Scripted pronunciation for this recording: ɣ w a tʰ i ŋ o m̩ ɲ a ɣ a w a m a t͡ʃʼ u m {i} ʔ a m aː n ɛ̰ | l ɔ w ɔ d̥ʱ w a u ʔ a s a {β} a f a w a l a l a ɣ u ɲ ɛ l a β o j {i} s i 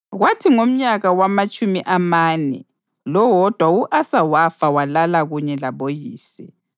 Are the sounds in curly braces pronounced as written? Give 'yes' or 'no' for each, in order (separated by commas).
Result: yes, no, no